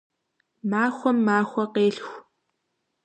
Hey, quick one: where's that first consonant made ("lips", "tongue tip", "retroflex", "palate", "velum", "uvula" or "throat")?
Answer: lips